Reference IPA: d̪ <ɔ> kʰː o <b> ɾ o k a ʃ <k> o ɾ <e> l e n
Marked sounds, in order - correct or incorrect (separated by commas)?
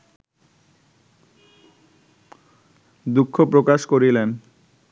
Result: incorrect, incorrect, correct, incorrect